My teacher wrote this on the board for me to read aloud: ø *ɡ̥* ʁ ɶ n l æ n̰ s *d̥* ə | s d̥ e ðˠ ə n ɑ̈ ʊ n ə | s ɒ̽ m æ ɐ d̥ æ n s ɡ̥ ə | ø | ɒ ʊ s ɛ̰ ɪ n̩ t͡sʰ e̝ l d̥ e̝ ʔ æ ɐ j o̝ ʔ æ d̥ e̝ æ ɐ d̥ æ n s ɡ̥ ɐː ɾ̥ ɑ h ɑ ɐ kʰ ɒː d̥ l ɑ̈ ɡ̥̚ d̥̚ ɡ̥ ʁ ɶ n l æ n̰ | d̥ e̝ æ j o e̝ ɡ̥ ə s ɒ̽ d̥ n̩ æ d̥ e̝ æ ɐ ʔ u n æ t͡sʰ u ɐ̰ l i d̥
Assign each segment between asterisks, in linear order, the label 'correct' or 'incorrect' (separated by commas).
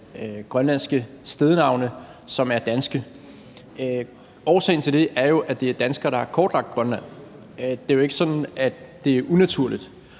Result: correct, incorrect